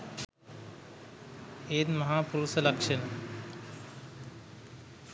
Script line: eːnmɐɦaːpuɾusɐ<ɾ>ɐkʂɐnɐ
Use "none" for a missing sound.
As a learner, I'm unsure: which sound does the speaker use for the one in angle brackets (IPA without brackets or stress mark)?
l